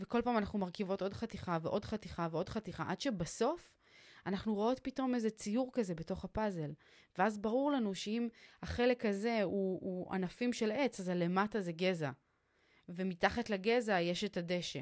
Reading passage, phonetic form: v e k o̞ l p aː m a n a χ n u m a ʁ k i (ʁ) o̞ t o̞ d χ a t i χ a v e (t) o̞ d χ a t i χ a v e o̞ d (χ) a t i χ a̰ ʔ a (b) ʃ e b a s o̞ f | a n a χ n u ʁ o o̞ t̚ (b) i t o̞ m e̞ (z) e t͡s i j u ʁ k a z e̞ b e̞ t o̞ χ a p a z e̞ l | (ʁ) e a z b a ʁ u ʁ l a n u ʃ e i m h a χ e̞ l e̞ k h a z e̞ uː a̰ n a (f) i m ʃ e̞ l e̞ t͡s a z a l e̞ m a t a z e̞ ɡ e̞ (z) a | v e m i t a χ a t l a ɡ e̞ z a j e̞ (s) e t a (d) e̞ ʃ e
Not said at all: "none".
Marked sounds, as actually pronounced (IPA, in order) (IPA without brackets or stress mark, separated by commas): v, ʔ, χ, d, p, z, v, f, z, ʃ, d